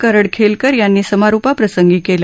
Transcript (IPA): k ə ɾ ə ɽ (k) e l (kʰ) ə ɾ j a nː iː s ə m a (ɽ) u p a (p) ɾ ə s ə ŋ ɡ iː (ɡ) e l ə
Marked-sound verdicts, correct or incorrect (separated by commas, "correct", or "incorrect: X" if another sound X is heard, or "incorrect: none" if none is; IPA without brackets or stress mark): incorrect: kʰ, incorrect: k, incorrect: ɾ, correct, incorrect: k